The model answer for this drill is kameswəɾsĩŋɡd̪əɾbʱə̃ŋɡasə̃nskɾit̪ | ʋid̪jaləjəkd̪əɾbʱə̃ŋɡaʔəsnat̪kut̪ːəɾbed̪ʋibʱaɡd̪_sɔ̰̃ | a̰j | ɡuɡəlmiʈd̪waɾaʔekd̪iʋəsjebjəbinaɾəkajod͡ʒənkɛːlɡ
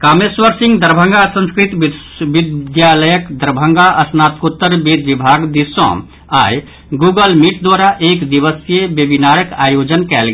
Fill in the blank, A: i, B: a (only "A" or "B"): A